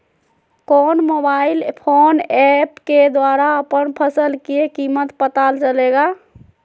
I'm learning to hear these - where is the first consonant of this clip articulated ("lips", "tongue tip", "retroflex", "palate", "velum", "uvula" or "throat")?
velum